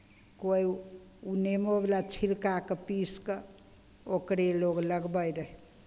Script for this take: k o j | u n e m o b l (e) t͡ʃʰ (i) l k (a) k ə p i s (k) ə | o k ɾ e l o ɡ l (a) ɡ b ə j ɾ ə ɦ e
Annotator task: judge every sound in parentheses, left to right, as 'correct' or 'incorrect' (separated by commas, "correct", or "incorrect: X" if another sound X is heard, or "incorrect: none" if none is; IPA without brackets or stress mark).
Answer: incorrect: a, correct, correct, correct, incorrect: ə